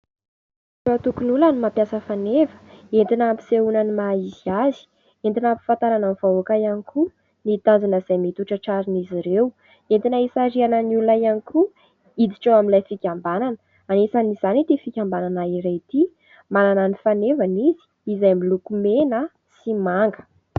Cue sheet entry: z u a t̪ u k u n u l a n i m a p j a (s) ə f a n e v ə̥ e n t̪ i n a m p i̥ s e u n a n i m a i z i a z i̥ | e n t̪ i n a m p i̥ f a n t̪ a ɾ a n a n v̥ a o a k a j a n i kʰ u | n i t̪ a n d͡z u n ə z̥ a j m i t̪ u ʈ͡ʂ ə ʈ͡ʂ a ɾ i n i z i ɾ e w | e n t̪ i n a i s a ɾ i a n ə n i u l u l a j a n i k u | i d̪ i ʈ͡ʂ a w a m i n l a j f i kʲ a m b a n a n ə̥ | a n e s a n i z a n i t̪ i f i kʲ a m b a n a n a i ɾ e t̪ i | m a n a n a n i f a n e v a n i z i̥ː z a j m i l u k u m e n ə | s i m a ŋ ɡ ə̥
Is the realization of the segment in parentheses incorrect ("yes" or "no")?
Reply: no